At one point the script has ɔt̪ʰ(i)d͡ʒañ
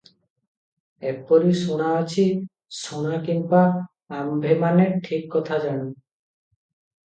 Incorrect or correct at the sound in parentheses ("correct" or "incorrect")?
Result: incorrect